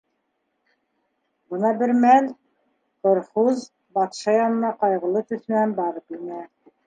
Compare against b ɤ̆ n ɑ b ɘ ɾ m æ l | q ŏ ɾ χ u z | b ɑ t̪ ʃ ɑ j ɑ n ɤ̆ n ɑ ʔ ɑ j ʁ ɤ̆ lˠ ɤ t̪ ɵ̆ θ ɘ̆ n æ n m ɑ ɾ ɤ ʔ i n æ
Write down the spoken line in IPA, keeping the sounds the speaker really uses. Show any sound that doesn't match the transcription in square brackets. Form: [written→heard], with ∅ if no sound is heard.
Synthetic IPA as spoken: b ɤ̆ n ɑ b ɘ ɾ m æ l | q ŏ ɾ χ u z | b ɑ t̪ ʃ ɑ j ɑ n ɤ̆ n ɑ [ʔ→q] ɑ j ʁ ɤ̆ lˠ ɤ t̪ ɵ̆ θ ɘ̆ n æ n [m→b] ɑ ɾ ɤ [ʔ→p] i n æ

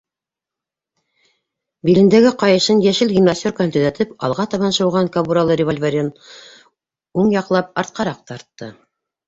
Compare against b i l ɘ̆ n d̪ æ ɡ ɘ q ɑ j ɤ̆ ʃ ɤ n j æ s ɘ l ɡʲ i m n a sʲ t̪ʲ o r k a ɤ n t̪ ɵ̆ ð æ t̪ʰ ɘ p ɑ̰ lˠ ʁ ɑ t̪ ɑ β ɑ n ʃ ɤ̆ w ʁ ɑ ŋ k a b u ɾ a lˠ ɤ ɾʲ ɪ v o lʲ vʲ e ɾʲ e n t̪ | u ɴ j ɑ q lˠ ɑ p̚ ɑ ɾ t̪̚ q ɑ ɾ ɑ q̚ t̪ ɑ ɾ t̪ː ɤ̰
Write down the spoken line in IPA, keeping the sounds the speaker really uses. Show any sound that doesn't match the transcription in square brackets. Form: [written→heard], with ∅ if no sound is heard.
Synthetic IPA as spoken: b i l ɘ̆ n d̪ æ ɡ ɘ q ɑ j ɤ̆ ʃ ɤ n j æ [s→ʃ] ɘ l ɡʲ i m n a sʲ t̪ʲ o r k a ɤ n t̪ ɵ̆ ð æ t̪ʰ ɘ p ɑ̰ lˠ ʁ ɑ t̪ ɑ β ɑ n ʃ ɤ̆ w ʁ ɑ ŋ k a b u ɾ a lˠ ɤ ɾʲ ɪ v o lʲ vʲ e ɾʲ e n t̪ | u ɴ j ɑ q lˠ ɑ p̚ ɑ ɾ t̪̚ q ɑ ɾ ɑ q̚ t̪ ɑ ɾ t̪ː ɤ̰

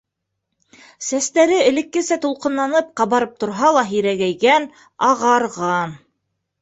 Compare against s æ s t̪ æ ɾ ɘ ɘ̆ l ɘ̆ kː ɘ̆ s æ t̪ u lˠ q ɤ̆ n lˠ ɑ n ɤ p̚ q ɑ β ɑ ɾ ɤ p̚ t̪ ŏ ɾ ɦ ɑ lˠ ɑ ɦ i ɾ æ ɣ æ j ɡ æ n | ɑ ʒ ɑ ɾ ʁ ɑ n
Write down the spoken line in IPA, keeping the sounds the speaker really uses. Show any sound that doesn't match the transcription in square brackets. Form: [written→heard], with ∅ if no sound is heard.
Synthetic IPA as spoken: s æ s t̪ æ ɾ ɘ ɘ̆ l ɘ̆ kː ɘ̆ s æ t̪ u lˠ q ɤ̆ n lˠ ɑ n ɤ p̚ q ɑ β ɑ ɾ ɤ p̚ t̪ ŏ ɾ ɦ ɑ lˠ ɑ ɦ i ɾ æ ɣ æ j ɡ æ n | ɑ [ʒ→ʁ] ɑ ɾ ʁ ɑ n

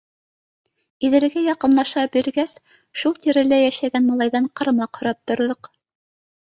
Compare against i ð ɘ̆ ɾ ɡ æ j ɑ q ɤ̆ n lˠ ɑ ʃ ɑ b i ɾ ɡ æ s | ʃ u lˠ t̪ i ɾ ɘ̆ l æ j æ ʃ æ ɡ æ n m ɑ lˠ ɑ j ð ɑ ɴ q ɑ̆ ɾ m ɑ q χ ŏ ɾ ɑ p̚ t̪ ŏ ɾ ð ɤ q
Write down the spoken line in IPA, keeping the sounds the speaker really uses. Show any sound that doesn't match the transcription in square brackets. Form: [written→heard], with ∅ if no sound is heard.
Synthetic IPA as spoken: i ð ɘ̆ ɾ ɡ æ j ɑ q ɤ̆ n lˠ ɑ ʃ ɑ b i ɾ ɡ æ s | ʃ u lˠ t̪ i ɾ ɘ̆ l æ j æ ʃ æ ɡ æ n m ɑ lˠ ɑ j ð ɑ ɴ q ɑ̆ ɾ m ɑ q [χ→h] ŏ ɾ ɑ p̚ t̪ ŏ ɾ ð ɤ q

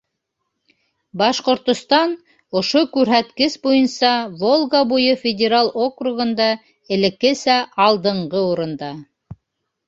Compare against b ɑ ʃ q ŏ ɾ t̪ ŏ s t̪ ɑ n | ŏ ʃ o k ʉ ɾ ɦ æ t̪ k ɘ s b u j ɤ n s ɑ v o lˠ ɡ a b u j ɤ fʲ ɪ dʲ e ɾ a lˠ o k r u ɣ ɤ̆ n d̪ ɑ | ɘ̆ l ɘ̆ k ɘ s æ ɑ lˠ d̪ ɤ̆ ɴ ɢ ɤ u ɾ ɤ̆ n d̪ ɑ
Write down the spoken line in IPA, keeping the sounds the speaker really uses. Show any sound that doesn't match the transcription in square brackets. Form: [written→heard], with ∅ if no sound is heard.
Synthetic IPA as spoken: b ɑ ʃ q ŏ ɾ t̪ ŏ s t̪ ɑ n | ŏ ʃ o k ʉ ɾ ɦ æ t̪ k ɘ s b u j ɤ n s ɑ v o lˠ ɡ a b u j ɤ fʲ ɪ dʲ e ɾ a lˠ o k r u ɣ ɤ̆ n d̪ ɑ | ɘ̆ l ɘ̆ k ɘ s æ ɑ lˠ d̪ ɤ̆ ɴ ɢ ɤ u ɾ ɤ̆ n d̪ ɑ

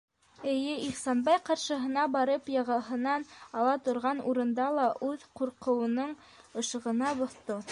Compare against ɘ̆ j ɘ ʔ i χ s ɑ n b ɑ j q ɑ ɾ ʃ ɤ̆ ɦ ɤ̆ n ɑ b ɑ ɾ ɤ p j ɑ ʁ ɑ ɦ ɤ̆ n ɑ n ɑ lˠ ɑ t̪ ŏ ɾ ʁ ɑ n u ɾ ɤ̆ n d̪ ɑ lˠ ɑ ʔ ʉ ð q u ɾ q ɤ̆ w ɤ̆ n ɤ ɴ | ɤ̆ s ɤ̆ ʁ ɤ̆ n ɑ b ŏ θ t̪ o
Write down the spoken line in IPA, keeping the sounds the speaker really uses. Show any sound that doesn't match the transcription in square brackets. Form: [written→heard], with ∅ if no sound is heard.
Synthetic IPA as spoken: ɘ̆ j ɘ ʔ i χ s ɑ n b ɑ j q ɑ ɾ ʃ ɤ̆ ɦ ɤ̆ n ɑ b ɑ ɾ ɤ p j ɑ ʁ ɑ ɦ ɤ̆ n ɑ n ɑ lˠ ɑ t̪ ŏ ɾ ʁ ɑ n u ɾ ɤ̆ n d̪ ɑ lˠ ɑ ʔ ʉ ð q u ɾ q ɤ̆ w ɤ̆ n ɤ ɴ | ɤ̆ [s→ʃ] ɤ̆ ʁ ɤ̆ n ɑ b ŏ θ t̪ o

